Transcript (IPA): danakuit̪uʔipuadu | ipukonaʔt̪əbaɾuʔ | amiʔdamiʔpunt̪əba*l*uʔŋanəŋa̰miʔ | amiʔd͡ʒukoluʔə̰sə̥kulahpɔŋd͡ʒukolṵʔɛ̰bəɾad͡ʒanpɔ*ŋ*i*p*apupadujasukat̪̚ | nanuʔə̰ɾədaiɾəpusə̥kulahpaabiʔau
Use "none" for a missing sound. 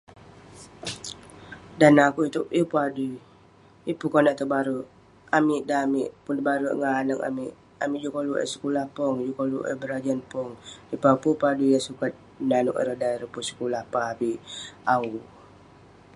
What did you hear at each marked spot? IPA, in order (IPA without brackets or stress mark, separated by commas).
ɾ, ŋ, p